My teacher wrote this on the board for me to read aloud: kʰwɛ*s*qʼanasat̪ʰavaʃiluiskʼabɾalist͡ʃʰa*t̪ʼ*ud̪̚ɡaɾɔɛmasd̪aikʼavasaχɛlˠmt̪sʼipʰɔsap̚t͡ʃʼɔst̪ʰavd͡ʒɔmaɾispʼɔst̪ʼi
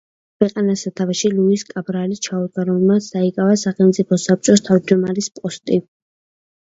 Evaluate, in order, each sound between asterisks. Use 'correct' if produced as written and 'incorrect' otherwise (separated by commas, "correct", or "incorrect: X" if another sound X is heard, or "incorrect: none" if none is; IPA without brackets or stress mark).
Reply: incorrect: none, incorrect: none